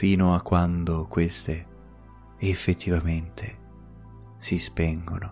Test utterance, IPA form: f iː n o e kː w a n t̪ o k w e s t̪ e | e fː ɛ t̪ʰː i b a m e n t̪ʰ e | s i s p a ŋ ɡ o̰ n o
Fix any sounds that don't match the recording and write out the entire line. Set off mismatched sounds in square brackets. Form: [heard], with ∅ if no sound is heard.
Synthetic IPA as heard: f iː n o [a] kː w a n [d̪] o k w e s t̪ e | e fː [e] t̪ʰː i [v] a m e n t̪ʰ e | s i s p [ɛ] ŋ ɡ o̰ n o